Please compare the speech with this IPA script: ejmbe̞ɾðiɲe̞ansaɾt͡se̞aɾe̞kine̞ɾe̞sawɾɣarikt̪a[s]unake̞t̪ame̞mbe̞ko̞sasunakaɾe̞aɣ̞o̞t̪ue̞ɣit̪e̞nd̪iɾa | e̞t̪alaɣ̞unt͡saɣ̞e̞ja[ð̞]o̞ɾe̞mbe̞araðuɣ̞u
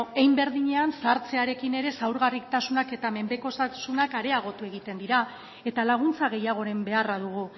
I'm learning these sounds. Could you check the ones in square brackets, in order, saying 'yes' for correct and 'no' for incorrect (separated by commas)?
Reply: yes, no